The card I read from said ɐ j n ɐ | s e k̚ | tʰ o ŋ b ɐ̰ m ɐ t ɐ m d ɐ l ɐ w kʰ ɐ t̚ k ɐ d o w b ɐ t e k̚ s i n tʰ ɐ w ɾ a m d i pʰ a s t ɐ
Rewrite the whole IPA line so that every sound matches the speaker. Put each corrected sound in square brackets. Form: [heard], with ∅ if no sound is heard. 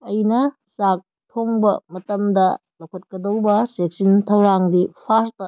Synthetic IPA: ɐ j n ɐ | s [a] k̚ | tʰ o ŋ b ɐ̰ m ɐ t ɐ m d ɐ l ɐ w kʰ ɐ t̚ k ɐ d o w b ɐ [s] e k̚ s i n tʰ ɐ w ɾ a [ŋ] d i pʰ a s t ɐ